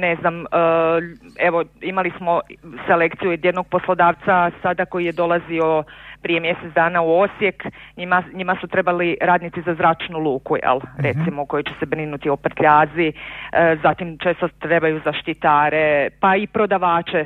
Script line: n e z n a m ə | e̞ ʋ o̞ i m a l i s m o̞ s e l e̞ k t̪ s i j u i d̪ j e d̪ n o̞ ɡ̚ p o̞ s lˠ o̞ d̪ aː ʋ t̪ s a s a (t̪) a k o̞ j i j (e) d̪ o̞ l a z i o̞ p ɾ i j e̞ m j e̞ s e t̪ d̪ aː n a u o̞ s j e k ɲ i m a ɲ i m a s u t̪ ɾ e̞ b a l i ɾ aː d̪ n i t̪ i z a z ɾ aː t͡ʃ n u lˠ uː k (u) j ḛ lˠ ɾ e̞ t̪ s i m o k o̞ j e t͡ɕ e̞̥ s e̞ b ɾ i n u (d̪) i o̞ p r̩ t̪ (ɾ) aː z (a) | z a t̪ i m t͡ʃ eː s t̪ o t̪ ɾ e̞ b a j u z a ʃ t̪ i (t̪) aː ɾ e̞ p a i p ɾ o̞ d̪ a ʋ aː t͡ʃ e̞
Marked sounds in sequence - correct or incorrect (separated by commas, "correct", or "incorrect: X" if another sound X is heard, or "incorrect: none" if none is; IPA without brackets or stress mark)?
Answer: incorrect: d̪, correct, correct, incorrect: t̪, incorrect: ʎ, incorrect: i, correct